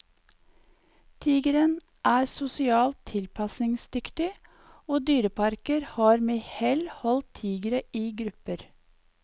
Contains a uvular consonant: no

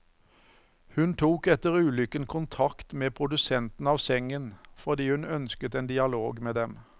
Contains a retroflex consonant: no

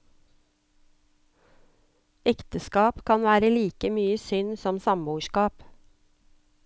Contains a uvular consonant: no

